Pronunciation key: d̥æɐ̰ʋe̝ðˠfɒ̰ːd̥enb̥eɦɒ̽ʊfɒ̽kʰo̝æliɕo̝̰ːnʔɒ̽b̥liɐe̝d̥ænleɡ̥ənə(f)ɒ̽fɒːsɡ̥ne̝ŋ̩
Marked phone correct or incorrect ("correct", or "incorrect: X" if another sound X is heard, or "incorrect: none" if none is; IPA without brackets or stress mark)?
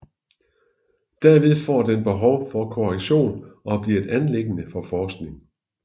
correct